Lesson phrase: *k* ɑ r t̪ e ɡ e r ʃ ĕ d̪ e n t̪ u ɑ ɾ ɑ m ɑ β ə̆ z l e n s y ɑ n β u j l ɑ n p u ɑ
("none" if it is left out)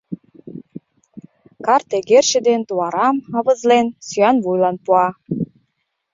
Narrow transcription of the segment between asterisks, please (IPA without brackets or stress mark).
k